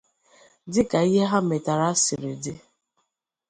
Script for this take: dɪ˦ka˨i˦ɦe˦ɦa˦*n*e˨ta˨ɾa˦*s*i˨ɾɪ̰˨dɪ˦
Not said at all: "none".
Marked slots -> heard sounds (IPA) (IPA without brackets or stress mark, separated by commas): m, s